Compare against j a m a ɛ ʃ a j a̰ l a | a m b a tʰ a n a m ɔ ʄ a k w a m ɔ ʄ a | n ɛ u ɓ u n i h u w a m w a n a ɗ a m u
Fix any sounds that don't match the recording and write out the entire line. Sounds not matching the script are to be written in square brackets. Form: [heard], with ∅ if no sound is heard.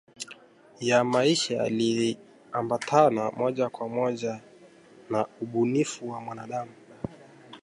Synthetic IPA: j a m a [i] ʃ a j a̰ l [i] | a m b a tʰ a n a m ɔ ʄ a k w a m ɔ ʄ a | n [a] u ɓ u n i [f] u w a m w a n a ɗ a m u